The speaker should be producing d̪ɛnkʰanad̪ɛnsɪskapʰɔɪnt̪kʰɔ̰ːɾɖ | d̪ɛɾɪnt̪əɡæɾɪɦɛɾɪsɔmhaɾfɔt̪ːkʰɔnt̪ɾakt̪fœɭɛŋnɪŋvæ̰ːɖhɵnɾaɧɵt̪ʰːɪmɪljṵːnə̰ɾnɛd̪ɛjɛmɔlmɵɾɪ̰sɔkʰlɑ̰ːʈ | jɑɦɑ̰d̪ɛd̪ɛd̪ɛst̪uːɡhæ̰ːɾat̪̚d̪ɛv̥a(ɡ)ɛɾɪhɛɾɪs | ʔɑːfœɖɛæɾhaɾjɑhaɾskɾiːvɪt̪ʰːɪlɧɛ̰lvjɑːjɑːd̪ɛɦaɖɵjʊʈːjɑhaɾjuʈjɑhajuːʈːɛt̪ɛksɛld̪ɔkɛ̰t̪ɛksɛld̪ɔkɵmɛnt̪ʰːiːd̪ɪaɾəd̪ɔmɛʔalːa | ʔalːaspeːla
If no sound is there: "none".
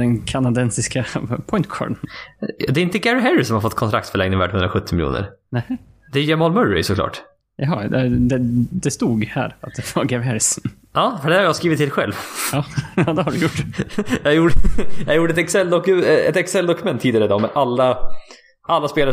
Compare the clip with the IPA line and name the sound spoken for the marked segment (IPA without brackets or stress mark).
ɡ